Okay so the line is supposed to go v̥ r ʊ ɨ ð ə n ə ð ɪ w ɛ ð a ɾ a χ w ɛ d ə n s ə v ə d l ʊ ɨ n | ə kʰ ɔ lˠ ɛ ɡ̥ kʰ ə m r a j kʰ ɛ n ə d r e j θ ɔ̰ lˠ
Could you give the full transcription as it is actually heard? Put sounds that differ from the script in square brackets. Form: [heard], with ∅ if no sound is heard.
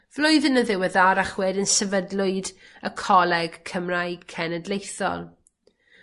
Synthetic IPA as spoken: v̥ [l] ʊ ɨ ð ə n ə ð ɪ w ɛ ð a ɾ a χ w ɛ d ə n s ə v ə d l ʊ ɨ [d] | ə kʰ ɔ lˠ ɛ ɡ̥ kʰ ə m r a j kʰ ɛ n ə d [l] e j θ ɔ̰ lˠ